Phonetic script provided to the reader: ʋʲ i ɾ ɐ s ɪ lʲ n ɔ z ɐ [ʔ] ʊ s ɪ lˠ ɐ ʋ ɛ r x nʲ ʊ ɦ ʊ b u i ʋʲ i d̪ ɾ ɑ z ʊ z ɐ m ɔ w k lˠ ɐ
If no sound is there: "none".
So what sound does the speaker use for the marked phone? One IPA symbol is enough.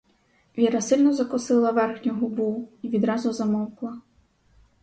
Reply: k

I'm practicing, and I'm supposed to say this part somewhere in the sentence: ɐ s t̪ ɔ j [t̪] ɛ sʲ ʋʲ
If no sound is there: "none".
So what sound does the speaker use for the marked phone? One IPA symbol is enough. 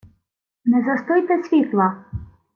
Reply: t̪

